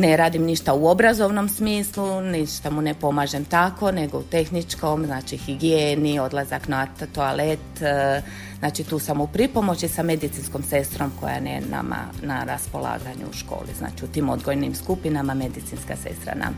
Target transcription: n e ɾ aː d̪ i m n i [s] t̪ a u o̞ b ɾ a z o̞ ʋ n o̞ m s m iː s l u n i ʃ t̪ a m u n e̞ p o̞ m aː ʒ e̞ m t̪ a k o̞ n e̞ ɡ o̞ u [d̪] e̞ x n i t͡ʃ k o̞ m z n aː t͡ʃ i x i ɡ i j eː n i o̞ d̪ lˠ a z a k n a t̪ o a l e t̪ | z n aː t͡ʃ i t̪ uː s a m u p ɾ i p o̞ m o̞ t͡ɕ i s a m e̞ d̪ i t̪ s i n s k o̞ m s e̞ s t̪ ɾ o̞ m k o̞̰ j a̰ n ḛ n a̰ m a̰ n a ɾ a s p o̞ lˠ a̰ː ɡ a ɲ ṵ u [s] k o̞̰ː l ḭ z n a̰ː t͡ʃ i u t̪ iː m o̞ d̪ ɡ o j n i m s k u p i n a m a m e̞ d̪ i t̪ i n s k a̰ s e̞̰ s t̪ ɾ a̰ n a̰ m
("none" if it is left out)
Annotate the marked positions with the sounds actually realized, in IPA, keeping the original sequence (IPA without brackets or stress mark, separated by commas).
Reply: ʃ, t̪, ʃ